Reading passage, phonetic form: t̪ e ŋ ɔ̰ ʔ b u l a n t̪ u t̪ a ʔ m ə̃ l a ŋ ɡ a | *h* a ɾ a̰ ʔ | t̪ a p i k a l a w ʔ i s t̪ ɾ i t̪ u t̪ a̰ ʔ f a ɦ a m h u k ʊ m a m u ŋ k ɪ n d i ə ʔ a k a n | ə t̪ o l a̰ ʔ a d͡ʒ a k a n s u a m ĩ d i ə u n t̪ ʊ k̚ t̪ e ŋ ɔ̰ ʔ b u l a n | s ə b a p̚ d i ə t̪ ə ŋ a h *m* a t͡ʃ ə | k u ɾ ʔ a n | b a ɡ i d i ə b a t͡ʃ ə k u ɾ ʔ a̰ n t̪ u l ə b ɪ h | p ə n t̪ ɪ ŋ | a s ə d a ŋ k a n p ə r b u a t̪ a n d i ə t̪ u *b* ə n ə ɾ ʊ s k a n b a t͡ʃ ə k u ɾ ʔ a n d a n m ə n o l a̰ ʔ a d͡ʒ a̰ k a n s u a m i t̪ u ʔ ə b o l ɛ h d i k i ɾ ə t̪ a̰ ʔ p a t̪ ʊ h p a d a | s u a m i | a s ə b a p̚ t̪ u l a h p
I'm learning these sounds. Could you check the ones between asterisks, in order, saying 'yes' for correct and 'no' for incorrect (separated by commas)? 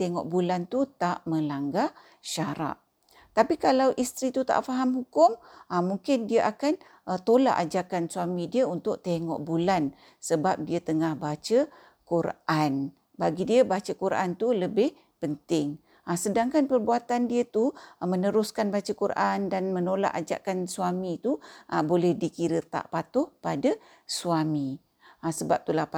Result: no, no, no